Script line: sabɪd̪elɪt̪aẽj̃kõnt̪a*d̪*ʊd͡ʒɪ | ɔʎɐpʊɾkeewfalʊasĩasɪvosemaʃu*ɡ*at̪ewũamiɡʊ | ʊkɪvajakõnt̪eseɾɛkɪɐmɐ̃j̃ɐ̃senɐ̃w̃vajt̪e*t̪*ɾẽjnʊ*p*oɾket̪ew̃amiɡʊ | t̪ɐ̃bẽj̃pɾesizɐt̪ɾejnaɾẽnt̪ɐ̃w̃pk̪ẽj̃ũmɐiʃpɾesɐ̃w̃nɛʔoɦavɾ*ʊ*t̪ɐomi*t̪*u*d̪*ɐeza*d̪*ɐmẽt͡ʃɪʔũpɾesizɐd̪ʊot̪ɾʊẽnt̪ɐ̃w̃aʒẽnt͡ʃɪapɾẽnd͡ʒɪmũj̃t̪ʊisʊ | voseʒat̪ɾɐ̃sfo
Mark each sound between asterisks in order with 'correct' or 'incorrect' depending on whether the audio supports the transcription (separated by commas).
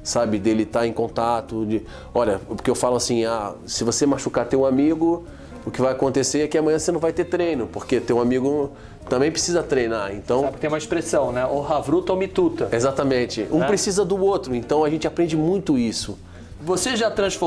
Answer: incorrect, incorrect, correct, correct, incorrect, correct, incorrect, incorrect